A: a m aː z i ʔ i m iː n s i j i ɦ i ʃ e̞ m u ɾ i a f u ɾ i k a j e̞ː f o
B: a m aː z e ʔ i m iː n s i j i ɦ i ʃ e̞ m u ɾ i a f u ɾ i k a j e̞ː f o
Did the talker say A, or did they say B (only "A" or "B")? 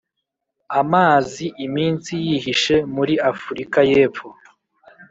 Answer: A